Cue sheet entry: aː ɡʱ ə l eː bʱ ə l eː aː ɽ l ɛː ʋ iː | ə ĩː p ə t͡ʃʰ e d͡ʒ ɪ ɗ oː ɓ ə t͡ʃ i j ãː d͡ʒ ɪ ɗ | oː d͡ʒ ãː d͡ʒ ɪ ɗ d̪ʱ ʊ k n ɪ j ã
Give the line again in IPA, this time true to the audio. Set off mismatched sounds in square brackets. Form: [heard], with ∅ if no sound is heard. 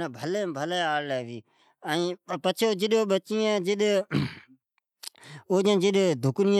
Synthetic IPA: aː [bʱ] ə l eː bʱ ə l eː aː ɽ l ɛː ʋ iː | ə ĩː p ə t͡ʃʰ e d͡ʒ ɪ ɗ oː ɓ ə t͡ʃ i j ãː d͡ʒ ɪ ɗ | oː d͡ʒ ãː d͡ʒ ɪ ɗ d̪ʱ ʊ k n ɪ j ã